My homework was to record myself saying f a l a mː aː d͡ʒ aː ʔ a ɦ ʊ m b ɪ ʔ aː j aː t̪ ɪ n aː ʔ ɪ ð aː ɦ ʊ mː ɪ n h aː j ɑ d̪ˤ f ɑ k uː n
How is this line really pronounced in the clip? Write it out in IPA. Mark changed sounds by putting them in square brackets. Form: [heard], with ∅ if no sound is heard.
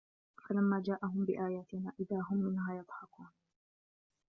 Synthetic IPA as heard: f a l a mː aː d͡ʒ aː ʔ a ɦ ʊ m b ɪ ʔ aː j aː t̪ ɪ n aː ʔ ɪ ð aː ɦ ʊ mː ɪ n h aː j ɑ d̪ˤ [ħ] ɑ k uː n